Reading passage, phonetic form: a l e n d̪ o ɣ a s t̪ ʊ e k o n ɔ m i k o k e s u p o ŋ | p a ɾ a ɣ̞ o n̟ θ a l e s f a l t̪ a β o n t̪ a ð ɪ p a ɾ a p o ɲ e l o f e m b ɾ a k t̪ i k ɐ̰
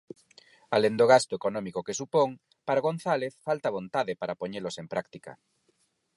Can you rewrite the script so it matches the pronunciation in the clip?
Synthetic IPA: a l e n d̪ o ɣ a s t̪ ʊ e k o n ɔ m i k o k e s u p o ŋ | p a ɾ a ɣ̞ o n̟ θ a l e θ f a l t̪ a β o n t̪ a ð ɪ p a ɾ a p o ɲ e l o s e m p ɾ a k t̪ i k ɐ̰